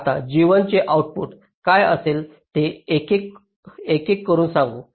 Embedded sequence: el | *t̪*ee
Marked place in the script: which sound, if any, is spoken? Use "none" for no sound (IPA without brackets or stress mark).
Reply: t̪